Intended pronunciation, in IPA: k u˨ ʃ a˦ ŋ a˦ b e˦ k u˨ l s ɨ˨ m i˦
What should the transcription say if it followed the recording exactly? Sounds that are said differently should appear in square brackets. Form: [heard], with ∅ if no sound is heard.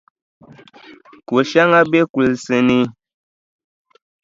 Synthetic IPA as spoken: k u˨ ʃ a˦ ŋ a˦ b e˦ k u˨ l s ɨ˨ [n] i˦